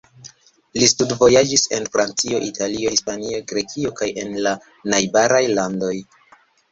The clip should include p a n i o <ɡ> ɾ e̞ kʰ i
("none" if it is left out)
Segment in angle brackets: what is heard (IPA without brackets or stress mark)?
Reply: ɡ